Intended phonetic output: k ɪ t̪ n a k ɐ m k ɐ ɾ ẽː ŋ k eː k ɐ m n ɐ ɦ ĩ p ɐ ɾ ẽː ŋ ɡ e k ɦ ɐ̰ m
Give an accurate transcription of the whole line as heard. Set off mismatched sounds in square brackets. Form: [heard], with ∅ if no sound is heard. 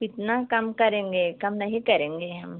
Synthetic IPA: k ɪ t̪ n a k ɐ m k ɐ ɾ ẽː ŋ [ɡ] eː k ɐ m n ɐ ɦ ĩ [k] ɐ ɾ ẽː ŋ ɡ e [∅] ɦ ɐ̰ m